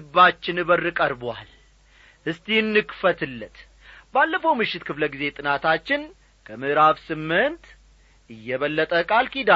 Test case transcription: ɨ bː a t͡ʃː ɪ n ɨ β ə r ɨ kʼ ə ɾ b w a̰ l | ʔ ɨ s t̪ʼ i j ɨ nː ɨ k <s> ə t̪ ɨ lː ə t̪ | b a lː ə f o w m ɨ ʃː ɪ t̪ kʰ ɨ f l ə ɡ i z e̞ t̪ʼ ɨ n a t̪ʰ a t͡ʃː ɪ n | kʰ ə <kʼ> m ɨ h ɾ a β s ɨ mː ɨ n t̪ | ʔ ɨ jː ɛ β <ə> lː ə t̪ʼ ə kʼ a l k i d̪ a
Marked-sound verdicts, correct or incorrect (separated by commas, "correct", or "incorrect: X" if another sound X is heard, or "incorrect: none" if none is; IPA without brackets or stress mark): incorrect: f, incorrect: none, correct